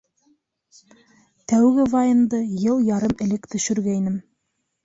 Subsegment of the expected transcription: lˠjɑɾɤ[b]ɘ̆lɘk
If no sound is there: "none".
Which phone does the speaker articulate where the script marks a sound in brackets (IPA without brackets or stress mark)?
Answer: m